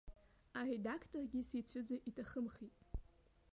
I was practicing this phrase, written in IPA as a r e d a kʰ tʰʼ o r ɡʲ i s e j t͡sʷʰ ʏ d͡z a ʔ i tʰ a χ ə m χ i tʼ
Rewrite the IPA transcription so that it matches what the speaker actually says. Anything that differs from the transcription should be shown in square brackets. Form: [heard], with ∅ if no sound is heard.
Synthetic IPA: a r e d a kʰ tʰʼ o r ɡʲ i s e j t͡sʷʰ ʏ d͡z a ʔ i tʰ a χ ə m χ i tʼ

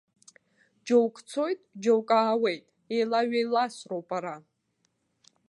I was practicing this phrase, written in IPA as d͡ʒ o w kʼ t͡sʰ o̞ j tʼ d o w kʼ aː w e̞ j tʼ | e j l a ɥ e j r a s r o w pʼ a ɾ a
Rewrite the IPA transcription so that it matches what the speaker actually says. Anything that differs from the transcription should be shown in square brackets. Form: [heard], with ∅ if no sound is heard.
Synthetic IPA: d͡ʒ o w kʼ t͡sʰ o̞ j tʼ [d͡ʒ] o w kʼ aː w e̞ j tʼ | e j l a ɥ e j [l] a s r o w pʼ a ɾ a

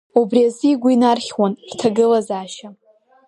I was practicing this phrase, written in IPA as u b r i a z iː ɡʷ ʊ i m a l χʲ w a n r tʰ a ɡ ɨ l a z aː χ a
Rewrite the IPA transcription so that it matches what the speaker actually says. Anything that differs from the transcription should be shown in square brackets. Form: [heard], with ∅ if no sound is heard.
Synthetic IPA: u b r i a z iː ɡʷ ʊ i [n] a [r] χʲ w a n r tʰ a ɡ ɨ l a z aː [ʃ] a

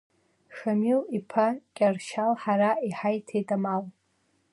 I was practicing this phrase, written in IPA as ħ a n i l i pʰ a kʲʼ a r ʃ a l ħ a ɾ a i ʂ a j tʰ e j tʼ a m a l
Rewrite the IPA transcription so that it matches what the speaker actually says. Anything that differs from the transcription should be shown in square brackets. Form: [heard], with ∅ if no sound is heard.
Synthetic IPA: [ʂ] a [m] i l i pʰ a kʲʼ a r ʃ a l ħ a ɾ a i [ħ] a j tʰ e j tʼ a m a l

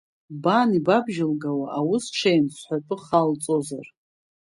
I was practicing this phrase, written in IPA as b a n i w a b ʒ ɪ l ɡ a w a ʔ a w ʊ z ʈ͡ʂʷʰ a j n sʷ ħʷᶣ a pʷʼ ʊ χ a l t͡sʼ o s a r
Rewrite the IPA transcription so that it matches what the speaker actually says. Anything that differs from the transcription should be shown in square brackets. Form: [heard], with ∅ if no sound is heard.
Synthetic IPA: b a n i [b] a b ʒ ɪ l ɡ a w a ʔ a w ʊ [s] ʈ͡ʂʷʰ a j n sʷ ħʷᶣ a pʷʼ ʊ χ a l t͡sʼ o [z] a r

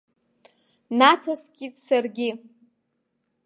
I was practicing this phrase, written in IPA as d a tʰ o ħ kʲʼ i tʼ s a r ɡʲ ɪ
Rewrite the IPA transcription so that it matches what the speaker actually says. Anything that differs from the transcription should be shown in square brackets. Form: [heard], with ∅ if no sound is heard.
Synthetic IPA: [n] a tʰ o [s] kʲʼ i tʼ s a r ɡʲ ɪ

